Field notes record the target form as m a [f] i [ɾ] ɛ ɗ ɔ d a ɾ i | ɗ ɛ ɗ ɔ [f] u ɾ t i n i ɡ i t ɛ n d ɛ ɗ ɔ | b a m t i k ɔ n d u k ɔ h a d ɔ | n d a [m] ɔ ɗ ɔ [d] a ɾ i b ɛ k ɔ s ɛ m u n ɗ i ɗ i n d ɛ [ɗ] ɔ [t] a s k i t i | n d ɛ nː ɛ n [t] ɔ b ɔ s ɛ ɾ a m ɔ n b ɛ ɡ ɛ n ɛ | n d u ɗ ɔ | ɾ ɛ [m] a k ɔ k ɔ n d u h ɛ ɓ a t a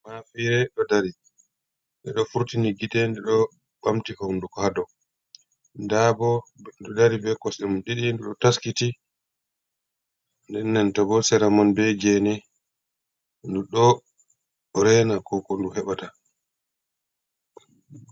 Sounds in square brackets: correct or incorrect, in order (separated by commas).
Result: correct, correct, correct, incorrect, correct, correct, correct, correct, incorrect